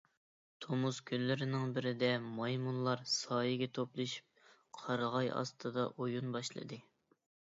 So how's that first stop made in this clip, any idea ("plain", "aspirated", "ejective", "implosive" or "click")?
aspirated